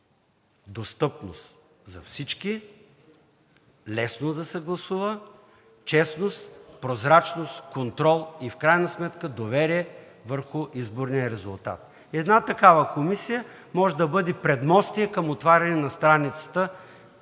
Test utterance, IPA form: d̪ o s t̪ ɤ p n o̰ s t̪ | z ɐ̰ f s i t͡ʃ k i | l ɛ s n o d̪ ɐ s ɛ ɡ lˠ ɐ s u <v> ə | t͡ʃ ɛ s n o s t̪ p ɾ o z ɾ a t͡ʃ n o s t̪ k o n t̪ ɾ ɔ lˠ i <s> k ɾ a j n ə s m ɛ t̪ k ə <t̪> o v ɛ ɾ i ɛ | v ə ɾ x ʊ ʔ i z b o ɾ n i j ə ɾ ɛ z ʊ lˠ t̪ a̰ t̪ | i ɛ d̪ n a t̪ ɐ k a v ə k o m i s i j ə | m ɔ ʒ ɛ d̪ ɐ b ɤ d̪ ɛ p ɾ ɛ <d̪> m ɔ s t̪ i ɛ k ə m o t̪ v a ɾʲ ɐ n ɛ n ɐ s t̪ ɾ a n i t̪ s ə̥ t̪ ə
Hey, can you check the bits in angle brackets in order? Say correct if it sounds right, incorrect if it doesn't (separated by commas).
correct, incorrect, incorrect, correct